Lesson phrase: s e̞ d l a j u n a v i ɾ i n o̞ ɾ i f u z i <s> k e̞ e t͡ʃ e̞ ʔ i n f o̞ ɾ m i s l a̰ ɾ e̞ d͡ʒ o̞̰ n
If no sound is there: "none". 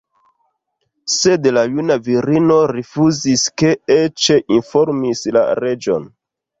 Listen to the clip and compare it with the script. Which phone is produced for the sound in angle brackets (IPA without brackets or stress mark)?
s